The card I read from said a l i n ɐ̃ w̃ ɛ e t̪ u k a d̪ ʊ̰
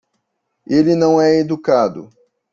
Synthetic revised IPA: e l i n ɐ̃ w̃ ɛ e d̪ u k a d̪ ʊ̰